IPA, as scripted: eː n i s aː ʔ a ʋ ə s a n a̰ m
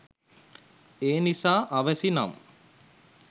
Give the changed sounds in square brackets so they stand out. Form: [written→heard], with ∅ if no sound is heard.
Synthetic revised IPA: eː n i s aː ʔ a ʋ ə s [a→i] n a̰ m